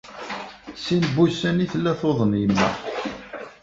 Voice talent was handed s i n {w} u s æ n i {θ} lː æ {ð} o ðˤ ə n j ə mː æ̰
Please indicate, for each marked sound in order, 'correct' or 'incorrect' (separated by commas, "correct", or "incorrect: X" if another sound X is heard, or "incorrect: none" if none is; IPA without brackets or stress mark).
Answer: incorrect: b, correct, incorrect: θ